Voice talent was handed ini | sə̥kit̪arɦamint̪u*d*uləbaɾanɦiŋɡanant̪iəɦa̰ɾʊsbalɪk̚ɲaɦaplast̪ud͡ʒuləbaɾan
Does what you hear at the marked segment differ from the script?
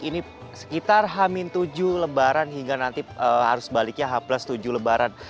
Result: yes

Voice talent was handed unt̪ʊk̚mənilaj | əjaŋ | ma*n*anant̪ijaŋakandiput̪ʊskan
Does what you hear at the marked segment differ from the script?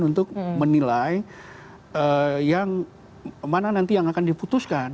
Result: no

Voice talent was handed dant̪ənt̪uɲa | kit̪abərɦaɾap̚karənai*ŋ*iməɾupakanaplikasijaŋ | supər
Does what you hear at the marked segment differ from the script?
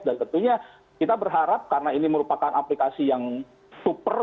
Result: yes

